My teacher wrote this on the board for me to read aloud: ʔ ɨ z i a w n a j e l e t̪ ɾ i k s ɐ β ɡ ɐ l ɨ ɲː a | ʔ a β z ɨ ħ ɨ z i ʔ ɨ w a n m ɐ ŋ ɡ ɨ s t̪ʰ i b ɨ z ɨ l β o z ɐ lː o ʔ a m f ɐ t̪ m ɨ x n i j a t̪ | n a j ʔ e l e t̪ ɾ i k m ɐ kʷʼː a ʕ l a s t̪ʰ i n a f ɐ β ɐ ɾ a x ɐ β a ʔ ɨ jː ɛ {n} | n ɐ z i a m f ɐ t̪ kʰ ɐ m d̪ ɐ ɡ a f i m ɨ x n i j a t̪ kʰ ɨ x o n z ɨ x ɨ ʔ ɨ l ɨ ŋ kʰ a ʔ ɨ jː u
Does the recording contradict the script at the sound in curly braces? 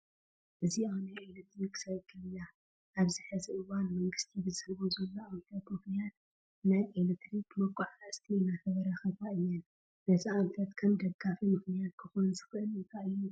no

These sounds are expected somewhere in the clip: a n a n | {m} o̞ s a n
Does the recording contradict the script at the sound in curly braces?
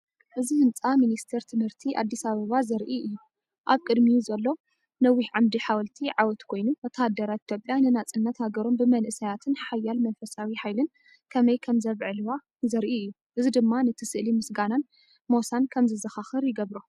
no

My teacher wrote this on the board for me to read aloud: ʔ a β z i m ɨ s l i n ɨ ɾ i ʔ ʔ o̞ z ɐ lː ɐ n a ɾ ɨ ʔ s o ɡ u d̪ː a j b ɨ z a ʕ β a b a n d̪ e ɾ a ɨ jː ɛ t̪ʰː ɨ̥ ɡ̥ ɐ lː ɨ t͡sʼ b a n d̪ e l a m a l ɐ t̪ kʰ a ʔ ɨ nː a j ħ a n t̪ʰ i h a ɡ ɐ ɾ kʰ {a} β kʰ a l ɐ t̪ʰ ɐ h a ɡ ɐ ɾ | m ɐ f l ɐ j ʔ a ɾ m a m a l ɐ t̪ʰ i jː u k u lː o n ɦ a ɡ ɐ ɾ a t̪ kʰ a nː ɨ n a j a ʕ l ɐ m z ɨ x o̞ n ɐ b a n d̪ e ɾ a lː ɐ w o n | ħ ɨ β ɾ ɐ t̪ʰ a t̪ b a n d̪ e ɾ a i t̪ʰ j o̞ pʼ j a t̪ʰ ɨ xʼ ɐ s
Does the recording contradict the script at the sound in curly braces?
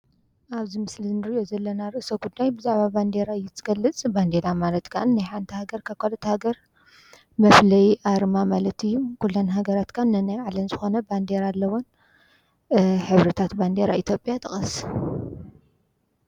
no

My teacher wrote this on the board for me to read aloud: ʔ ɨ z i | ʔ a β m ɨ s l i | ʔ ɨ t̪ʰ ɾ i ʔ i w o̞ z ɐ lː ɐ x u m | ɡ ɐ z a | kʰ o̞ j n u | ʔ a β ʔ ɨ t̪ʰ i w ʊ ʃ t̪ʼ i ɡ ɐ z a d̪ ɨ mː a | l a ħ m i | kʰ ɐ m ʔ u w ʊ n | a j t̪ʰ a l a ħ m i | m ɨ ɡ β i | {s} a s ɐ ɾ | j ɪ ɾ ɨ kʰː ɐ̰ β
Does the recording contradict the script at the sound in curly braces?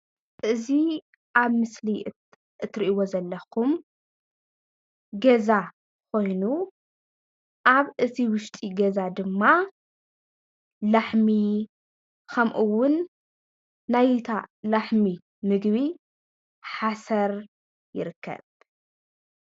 yes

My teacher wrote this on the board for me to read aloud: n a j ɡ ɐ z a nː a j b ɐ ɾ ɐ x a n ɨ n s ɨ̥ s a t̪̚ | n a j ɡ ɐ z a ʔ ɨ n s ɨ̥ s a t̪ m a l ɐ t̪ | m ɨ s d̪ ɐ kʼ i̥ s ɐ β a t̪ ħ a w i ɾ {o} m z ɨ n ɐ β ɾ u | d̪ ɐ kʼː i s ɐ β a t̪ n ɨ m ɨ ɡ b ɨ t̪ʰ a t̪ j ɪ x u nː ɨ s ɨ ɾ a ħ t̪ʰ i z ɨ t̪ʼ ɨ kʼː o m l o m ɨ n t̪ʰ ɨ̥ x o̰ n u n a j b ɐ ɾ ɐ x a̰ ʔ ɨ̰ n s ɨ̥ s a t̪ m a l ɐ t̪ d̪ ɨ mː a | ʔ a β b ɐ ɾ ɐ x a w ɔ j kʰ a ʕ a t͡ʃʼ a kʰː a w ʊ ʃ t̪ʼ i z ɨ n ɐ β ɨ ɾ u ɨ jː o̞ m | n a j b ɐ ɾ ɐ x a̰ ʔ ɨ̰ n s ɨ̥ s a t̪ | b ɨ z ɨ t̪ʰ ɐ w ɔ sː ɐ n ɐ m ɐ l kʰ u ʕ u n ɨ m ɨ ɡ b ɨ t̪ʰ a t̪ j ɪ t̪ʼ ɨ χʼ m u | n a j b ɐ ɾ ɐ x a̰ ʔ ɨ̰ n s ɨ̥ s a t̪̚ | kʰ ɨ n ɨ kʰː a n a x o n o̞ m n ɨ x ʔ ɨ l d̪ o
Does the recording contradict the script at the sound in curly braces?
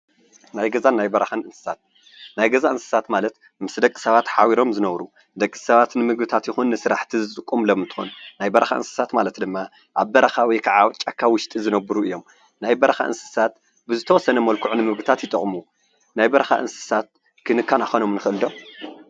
no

